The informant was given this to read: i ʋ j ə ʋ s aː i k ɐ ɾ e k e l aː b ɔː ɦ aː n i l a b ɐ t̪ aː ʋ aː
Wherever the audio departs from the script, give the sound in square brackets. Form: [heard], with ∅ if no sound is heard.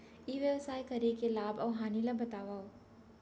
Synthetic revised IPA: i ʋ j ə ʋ s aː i k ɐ ɾ e k e l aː b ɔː ɦ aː n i l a b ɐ t̪ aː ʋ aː